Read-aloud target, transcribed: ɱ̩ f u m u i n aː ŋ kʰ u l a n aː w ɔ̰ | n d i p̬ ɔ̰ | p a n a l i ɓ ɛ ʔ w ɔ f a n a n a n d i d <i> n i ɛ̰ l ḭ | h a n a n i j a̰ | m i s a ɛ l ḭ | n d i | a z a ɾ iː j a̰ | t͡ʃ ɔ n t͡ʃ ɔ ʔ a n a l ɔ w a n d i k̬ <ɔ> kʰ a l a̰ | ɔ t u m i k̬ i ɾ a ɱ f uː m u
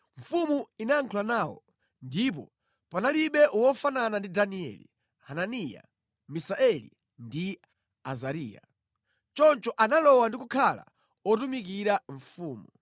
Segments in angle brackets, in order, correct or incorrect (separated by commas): incorrect, incorrect